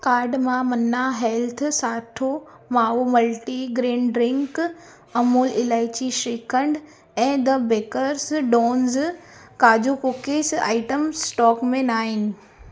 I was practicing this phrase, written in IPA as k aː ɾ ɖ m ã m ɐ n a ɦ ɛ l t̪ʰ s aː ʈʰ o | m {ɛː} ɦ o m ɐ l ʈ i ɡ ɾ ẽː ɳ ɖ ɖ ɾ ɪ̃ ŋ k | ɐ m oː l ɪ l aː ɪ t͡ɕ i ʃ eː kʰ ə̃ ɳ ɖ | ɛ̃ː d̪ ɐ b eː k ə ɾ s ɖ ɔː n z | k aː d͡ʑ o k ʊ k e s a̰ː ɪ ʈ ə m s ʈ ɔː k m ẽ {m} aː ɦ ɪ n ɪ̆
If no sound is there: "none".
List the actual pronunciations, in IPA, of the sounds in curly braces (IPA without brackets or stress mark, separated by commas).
aː, n